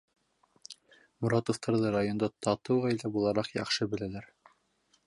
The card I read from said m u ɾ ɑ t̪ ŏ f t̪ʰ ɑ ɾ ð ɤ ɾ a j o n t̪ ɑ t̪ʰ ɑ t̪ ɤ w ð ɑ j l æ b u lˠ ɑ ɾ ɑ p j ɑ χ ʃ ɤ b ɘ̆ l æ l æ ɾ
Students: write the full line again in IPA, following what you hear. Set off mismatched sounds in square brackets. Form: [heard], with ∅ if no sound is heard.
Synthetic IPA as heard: m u ɾ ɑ t̪ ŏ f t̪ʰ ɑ ɾ ð ɤ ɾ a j o n [d̪] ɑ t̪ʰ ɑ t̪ ɤ w [ʁ] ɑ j l æ b u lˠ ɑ ɾ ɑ [q] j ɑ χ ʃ ɤ b ɘ̆ l æ l æ ɾ